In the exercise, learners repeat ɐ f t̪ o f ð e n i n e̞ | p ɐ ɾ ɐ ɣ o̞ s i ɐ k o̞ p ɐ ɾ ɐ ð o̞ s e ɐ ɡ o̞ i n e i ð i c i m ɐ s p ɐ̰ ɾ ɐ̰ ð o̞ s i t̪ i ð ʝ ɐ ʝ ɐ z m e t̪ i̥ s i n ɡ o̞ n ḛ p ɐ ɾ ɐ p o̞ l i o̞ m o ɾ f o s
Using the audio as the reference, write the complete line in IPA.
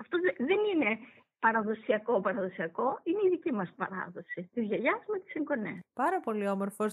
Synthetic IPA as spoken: ɐ f t̪ o ð e n i n e̞ | p ɐ ɾ ɐ ð o̞ s i ɐ k o̞ p ɐ ɾ ɐ ð o̞ s i ɐ k o̞ i n e i ð i c i m ɐ s p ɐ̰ ɾ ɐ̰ ð o̞ s i t̪ i z ʝ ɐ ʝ ɐ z m e t̪ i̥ s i ŋ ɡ o̞ n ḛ p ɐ ɾ ɐ p o̞ l i o̞ m o ɾ f o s